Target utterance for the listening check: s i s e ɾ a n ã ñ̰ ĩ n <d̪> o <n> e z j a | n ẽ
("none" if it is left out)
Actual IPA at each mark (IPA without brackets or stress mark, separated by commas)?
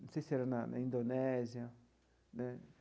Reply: d̪, n